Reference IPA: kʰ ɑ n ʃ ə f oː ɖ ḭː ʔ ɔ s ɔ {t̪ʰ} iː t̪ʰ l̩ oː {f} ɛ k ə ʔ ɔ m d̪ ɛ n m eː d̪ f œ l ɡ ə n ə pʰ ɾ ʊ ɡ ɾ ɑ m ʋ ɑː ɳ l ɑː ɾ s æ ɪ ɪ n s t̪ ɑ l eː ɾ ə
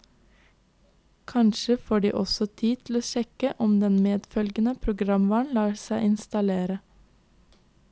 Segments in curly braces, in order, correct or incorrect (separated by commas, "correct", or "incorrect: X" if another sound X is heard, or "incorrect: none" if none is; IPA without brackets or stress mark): correct, incorrect: ʃ